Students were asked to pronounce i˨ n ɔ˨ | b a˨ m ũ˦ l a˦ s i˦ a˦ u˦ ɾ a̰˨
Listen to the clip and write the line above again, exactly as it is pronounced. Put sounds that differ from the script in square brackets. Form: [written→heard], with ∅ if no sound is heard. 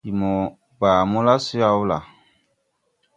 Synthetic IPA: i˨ [n→m] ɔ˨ | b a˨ m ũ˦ l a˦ s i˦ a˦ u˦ [ɾ→l] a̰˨